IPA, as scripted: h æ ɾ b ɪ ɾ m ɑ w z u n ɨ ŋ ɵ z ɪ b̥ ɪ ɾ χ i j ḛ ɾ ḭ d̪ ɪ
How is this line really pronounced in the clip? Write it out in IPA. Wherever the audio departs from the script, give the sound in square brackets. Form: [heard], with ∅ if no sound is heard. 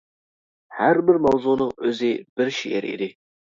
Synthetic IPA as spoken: h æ ɾ b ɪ ɾ m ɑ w z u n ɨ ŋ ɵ z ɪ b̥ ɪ ɾ [ʃ] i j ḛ ɾ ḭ d̪ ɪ